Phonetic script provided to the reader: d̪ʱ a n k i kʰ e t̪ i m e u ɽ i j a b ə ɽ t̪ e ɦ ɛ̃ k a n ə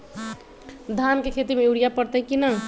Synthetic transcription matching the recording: d̪ʱ a n k e kʰ e t̪ i m e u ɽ i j a p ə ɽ t̪ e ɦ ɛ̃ k i n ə